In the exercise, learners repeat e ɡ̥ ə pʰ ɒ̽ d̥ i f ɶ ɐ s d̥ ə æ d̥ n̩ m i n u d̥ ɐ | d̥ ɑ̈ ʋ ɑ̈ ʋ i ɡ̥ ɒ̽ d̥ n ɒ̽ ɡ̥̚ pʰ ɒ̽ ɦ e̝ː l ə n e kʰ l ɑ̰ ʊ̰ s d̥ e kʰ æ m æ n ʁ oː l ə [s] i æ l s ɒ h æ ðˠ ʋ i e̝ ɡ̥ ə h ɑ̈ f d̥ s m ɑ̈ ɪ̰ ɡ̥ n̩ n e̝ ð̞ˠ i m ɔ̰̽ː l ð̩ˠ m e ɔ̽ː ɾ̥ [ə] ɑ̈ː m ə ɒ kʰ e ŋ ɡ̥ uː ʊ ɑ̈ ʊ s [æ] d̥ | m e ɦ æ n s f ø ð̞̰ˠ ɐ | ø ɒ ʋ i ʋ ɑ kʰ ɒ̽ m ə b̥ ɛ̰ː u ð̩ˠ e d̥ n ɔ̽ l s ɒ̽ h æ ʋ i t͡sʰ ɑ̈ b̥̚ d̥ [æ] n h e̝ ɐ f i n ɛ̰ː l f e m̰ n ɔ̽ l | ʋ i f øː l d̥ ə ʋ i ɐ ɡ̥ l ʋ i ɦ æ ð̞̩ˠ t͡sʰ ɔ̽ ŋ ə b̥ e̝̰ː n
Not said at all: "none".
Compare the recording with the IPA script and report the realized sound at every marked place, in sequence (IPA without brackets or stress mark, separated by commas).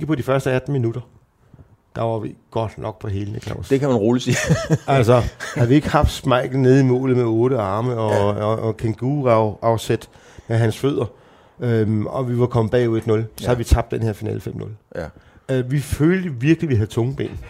s, ə, e, e